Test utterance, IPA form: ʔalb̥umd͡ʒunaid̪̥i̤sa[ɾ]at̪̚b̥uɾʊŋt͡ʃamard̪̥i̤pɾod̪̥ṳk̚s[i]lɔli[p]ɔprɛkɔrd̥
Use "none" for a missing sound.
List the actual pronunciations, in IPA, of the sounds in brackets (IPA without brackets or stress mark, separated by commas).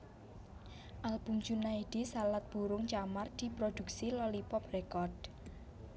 l, i, p